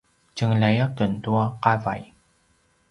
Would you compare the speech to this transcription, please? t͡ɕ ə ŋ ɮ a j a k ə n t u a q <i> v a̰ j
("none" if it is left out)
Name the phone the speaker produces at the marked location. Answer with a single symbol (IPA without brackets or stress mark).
a